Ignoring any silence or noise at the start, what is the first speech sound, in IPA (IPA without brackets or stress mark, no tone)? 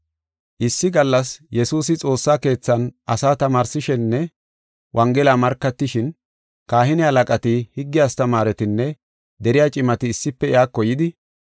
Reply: ʔ